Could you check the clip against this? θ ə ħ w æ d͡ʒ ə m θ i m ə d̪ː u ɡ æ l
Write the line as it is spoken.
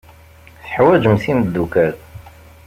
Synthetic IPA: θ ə ħ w æ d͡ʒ ə m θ i m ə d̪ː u k æ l

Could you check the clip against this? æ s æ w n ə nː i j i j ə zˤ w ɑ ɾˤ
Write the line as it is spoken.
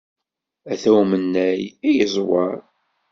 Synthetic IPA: æ θ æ w m ə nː æ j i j ə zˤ w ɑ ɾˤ

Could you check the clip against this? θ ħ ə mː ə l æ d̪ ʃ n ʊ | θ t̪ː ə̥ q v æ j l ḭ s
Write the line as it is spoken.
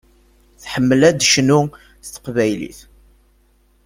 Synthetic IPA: θ ħ ə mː ə l æ d̪ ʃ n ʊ | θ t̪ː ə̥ q v æ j l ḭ θ

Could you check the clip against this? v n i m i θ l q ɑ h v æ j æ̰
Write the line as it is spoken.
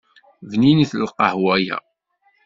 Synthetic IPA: v n i n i θ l q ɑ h w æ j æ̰

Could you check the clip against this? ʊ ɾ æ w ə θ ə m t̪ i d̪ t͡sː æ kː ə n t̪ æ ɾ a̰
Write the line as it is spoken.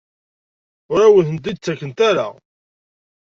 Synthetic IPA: ʊ ɾ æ w ə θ ə n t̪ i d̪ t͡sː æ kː ə n t̪ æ ɾ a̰

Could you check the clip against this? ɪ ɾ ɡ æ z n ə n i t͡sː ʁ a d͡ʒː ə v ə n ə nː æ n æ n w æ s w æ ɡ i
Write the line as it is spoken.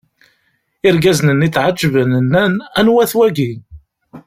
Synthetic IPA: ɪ ɾ ɡ æ z n ə n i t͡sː ʕ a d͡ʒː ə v ə n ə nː æ n æ n w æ θ w æ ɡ i

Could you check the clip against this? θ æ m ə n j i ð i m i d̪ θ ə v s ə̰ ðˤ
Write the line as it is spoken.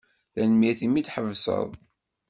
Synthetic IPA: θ æ n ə m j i θ i m i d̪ ħ ə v s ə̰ ðˤ

